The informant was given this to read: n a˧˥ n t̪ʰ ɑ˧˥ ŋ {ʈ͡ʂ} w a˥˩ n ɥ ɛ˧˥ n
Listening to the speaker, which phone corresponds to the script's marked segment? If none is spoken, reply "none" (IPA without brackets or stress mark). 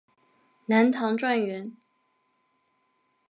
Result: ʈ͡ʂ